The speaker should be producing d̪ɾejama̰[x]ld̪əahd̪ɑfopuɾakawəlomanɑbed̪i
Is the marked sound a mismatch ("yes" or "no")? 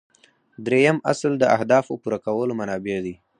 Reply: yes